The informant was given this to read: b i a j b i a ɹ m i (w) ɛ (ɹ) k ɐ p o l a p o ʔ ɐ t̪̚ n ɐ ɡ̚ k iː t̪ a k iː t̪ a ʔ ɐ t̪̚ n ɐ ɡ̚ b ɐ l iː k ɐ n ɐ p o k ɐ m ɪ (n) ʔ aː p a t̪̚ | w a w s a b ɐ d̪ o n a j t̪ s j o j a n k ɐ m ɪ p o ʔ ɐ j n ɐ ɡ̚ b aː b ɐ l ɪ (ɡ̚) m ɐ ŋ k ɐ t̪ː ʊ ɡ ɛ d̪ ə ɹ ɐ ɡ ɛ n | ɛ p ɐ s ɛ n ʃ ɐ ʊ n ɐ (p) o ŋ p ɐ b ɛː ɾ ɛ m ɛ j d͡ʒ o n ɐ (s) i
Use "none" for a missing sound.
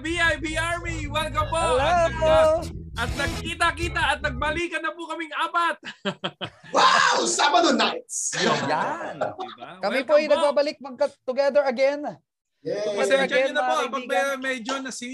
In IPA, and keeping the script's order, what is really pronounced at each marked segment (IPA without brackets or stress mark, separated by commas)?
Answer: w, l, ŋ, k̚, p, s